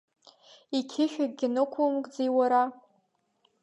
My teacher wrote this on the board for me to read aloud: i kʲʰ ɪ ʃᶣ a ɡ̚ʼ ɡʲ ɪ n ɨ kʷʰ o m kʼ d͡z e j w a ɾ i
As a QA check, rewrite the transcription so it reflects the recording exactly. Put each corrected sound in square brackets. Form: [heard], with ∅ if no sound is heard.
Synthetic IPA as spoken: i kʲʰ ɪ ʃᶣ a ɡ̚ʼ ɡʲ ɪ n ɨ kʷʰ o m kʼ d͡z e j w a ɾ [a]